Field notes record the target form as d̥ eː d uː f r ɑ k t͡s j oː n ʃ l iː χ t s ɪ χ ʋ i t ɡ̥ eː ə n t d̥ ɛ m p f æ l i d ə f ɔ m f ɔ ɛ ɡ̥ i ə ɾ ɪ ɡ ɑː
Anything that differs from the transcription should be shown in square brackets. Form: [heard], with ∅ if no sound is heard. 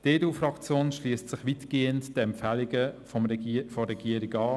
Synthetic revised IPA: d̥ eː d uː f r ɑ k t͡s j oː n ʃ l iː [s] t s ɪ χ ʋ i t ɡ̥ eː ə n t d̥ ɛ m p f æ l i [ɡ] ə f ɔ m f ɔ ɛ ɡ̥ i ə ɾ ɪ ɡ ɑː